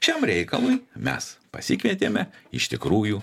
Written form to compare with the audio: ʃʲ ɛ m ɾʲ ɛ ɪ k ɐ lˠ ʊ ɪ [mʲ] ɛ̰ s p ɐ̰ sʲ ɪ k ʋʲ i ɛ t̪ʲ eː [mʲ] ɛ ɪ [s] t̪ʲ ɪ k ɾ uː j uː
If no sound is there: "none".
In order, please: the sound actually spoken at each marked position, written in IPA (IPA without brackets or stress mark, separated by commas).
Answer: mʲ, mʲ, ʃ